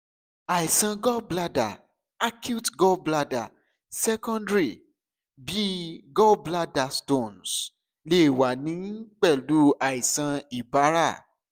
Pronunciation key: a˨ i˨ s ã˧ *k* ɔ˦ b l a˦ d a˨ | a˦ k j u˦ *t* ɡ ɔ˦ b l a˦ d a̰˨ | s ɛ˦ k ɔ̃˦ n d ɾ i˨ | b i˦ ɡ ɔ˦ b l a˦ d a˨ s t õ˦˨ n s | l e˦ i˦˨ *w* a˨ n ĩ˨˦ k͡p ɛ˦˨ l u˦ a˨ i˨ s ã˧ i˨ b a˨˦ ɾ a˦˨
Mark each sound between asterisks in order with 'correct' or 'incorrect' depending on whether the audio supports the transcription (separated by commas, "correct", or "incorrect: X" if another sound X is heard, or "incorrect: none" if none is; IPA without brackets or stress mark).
incorrect: ɡ, correct, correct